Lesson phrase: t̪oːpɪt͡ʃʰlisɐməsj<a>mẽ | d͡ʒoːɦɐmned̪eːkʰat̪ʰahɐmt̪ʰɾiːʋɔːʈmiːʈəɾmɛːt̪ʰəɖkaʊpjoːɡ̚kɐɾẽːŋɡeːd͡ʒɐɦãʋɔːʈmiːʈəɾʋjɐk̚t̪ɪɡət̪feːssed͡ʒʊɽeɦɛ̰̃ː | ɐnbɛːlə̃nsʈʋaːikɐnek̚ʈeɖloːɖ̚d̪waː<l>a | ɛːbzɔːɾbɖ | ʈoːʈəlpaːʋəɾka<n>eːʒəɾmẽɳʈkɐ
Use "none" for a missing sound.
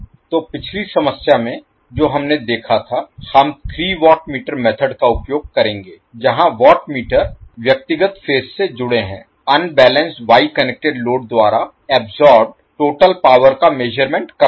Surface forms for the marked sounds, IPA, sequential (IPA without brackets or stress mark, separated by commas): a, ɾ, m